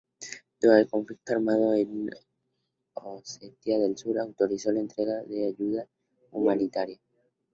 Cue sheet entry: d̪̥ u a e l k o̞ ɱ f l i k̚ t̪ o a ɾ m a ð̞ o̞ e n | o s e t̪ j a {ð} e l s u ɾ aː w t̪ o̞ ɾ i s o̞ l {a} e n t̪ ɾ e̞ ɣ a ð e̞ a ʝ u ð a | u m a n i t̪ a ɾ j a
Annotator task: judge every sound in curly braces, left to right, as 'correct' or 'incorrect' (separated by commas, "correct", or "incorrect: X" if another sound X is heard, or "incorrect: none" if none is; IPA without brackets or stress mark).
correct, correct